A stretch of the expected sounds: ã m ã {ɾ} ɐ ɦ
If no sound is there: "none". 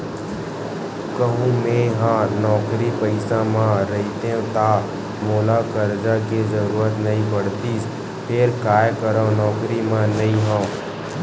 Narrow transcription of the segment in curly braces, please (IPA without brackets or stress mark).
ɾ